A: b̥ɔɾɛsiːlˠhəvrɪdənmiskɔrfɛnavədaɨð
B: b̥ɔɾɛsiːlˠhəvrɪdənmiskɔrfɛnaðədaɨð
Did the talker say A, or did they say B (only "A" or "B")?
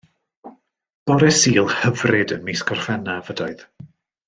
A